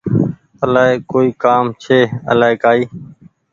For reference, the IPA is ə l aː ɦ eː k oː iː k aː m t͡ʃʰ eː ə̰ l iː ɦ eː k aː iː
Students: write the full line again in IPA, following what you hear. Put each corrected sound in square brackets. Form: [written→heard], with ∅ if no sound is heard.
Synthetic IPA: ə l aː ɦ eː k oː iː k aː m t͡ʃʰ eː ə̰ l [iː→aː] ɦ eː k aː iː